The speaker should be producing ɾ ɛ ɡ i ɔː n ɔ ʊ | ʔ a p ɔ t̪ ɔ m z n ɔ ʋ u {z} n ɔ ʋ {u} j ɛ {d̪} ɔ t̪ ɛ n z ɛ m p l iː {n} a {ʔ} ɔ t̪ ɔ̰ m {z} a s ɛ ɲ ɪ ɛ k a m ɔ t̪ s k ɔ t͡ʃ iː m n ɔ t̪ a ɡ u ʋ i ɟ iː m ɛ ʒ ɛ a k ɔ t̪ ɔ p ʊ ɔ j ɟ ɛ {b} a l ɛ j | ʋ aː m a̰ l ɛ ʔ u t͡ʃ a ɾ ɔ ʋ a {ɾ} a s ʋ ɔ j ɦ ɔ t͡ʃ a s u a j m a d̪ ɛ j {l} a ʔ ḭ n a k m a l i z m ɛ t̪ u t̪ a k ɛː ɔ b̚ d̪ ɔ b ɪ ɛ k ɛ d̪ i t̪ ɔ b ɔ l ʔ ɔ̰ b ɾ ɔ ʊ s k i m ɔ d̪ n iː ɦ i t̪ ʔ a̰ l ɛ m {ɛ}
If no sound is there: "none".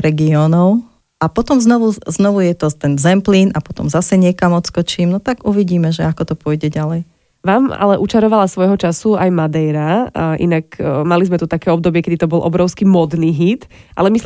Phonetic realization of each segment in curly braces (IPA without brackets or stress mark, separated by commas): z, u, t̪, n, p, z, ɟ, l, ɾ, i